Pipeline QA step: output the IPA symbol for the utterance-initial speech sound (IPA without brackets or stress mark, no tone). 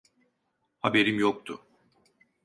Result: h